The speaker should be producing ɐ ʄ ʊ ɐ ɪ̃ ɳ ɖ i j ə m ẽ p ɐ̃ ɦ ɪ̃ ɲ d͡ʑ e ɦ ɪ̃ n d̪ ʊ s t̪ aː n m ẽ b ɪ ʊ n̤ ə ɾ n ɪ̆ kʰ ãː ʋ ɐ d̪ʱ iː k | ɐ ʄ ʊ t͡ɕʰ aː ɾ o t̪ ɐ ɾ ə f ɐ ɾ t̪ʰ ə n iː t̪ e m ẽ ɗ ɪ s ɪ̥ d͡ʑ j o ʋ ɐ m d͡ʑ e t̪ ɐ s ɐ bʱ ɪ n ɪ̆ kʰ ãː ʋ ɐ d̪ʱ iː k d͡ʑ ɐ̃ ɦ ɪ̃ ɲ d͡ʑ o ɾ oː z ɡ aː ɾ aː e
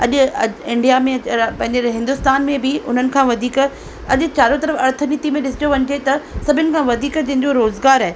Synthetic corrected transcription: ɐ ʄ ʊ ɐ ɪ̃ ɳ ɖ i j a m ẽ p ɐ̃ ɦ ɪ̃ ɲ d͡ʑ e ɦ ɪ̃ n d̪ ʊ s t̪ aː n m ẽ b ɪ ʊ n̤ ə n ɪ̆ kʰ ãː ʋ ɐ d̪ʱ iː k | ɐ ʄ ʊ t͡ɕ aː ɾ o t̪ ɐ ɾ ə f ɐ ɾ t̪ʰ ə n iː t̪ i m ẽ ɗ ɪ s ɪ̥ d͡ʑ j o ʋ ɐ ɲ d͡ʑ e t̪ ɐ s ɐ bʱ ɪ n ɪ̆ kʰ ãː ʋ ɐ d̪ʱ iː k d͡ʑ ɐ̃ ɦ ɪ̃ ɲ d͡ʑ o ɾ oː z ɡ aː ɾ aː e